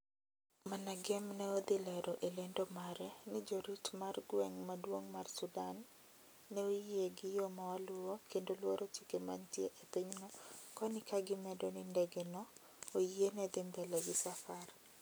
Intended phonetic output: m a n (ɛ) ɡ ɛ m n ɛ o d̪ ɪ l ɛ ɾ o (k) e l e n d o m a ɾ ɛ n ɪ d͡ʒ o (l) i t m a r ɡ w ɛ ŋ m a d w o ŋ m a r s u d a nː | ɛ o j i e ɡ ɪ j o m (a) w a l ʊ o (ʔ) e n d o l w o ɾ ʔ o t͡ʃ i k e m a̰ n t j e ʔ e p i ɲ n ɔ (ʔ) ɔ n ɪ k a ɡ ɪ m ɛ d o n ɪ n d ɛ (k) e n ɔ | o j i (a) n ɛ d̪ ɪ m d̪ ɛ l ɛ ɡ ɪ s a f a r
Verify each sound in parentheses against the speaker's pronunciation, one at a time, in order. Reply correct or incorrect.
incorrect, incorrect, incorrect, correct, incorrect, incorrect, incorrect, incorrect

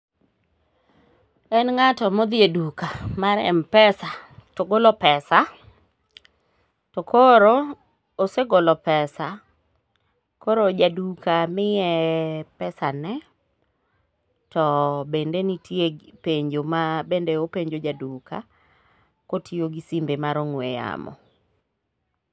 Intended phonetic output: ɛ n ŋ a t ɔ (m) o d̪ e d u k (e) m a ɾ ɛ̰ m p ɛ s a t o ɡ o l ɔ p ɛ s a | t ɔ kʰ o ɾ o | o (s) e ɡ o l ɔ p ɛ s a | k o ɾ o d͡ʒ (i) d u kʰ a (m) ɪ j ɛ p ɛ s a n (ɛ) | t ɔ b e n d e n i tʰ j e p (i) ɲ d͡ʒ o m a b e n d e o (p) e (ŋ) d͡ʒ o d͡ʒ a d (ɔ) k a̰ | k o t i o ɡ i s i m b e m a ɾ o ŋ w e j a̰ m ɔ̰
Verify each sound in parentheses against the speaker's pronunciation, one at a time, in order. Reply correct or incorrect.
correct, incorrect, correct, incorrect, correct, correct, incorrect, correct, incorrect, incorrect

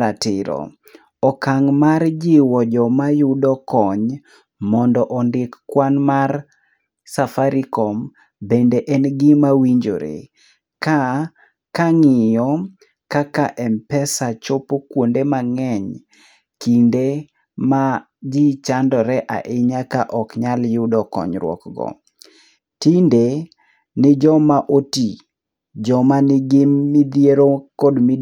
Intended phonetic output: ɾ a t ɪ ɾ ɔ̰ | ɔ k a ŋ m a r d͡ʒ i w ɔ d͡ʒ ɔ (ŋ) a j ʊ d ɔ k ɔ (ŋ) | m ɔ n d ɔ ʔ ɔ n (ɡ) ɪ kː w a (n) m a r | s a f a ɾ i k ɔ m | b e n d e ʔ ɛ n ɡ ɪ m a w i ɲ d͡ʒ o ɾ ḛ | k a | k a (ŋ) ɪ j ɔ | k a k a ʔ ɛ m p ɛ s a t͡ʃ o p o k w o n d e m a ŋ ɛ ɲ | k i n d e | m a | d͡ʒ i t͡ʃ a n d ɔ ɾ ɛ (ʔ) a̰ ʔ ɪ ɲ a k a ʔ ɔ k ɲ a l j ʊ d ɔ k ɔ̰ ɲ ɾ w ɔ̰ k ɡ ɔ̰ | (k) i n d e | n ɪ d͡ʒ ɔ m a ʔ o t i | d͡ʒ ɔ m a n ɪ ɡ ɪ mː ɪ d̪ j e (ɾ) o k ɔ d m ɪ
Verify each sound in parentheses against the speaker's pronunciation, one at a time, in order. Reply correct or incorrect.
incorrect, incorrect, incorrect, correct, correct, correct, incorrect, correct

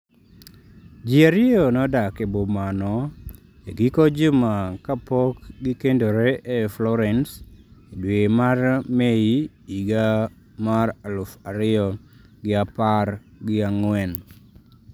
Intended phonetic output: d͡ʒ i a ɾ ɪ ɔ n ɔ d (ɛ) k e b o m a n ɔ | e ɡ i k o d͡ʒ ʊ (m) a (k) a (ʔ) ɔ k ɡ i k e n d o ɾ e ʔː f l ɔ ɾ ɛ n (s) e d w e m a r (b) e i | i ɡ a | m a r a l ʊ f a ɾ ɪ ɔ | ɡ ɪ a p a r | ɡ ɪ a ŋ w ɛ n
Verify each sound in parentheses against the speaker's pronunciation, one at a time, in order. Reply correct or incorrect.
incorrect, correct, correct, incorrect, correct, incorrect

